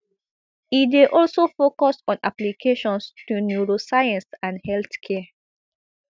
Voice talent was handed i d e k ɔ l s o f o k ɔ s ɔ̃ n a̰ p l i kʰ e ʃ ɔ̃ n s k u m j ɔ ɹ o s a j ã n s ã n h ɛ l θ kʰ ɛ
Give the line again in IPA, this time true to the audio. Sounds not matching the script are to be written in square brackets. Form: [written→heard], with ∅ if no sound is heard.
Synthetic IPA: i d e [k→ʔ] ɔ l s o f o k ɔ s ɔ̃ n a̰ p l i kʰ e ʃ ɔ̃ n s [k→t] u [m→n] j [ɔ→u] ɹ o s a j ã n s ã n h ɛ l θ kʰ ɛ